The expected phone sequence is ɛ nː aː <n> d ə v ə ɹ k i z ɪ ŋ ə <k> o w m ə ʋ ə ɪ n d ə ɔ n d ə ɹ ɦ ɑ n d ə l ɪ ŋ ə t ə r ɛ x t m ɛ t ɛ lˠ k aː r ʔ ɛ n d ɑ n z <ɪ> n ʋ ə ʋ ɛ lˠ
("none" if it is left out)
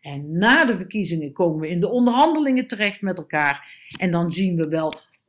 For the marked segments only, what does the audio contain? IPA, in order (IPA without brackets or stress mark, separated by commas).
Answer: none, k, i